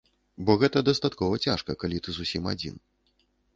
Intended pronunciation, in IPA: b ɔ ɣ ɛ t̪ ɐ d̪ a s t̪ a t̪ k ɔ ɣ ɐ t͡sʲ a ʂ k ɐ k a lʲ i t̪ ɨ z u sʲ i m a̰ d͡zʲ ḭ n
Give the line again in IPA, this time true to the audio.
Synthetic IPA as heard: b ɔ ɣ ɛ t̪ ɐ d̪ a s t̪ a t̪ k ɔ v ɐ t͡sʲ a ʂ k ɐ k a lʲ i t̪ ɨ z u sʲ i m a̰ d͡zʲ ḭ n